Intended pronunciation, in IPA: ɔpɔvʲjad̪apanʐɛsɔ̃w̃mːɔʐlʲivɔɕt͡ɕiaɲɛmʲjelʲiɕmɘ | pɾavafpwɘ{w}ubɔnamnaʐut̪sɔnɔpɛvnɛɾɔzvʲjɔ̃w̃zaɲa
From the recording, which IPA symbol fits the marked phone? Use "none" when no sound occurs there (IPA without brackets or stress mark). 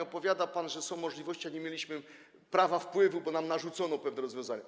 v